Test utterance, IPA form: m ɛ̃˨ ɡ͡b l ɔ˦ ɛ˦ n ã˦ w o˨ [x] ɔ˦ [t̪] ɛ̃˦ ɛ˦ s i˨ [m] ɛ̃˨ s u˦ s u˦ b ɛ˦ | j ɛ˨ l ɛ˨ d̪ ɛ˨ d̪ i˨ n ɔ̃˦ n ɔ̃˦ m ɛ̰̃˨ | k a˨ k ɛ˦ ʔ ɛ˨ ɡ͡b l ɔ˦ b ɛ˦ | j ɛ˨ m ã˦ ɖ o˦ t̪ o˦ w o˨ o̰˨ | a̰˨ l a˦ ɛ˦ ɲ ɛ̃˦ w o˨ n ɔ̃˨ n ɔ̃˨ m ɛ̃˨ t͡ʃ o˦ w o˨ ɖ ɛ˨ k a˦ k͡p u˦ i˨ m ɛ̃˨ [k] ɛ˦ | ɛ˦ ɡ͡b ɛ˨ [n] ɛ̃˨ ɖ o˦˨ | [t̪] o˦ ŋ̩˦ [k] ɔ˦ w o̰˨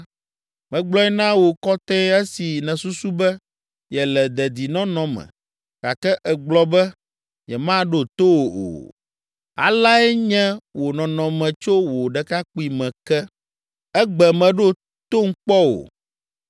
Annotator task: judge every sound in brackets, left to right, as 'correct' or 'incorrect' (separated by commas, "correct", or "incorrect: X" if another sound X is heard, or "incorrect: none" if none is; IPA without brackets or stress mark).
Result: incorrect: k, correct, incorrect: n, correct, incorrect: m, correct, incorrect: k͡p